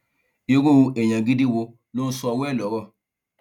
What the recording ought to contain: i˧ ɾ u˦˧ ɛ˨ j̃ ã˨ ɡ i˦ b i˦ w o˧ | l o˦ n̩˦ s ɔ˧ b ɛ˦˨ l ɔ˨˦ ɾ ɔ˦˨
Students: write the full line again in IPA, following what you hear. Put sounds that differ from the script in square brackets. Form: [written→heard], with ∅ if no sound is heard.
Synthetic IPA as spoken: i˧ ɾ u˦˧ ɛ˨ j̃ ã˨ ɡ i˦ [b→d] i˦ w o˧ | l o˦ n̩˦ s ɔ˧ [b→w] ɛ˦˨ l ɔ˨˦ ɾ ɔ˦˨